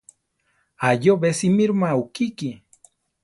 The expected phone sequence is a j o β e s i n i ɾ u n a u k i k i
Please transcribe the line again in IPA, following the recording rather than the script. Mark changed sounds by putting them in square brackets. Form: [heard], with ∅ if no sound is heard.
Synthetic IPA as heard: a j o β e s i [m] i ɾ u [m] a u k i k i